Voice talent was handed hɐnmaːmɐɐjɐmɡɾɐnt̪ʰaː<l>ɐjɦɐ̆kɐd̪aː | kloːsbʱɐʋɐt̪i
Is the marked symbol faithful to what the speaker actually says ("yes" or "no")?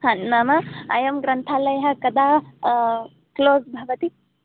yes